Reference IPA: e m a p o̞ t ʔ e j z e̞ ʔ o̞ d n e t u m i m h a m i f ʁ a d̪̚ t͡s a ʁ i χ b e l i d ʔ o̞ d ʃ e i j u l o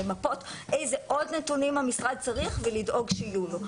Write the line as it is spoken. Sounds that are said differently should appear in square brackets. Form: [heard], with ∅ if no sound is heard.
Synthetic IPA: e m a p o̞ t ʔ e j z e̞ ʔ o̞ d n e t u [n] i m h a m i [s] ʁ a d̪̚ t͡s a ʁ i χ [v] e l i d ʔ o̞ [ɡ] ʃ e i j u l o